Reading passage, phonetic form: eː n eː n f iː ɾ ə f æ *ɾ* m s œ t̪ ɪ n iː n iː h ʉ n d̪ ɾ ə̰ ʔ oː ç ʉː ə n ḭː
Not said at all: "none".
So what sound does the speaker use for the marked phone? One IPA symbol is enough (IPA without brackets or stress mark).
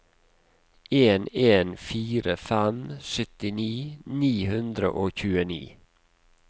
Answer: none